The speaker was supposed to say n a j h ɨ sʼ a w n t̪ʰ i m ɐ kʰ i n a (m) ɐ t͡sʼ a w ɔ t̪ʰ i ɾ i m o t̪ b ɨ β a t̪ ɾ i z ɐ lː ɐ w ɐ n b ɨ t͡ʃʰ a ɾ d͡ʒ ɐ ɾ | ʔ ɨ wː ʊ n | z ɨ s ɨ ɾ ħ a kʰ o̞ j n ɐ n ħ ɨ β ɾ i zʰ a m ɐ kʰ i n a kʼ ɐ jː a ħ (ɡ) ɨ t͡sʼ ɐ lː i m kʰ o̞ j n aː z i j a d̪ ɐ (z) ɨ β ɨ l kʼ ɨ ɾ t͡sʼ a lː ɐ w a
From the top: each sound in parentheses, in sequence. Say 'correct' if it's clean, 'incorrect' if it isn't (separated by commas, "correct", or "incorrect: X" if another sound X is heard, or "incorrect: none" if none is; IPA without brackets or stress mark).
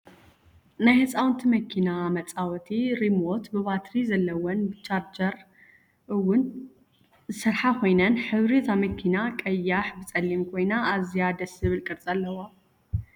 correct, incorrect: b, incorrect: s